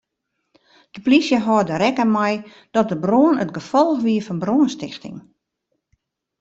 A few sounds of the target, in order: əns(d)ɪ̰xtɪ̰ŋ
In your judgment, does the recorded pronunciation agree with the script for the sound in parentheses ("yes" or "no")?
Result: no